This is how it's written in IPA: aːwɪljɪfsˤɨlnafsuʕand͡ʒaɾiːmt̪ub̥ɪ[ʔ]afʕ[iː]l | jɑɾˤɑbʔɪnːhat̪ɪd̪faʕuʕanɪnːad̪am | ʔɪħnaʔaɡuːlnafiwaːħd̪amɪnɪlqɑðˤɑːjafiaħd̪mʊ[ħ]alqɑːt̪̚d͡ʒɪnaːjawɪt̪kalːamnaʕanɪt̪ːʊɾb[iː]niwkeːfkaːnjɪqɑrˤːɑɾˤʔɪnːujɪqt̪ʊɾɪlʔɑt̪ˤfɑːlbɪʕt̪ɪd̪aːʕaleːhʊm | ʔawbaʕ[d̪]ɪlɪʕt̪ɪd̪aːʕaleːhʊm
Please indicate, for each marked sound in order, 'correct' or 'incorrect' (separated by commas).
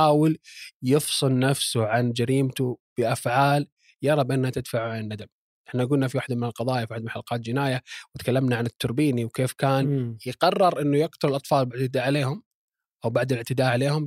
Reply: correct, incorrect, correct, correct, correct